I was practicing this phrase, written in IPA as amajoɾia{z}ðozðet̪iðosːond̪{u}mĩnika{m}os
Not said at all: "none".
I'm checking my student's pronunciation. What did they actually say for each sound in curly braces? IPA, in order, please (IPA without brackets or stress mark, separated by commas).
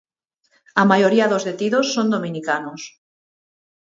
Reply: none, o, n